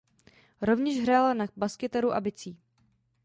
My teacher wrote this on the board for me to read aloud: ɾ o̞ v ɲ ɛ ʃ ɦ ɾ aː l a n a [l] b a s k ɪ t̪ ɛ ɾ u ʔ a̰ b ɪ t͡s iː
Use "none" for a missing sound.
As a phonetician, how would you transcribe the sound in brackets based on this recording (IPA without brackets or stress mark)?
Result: none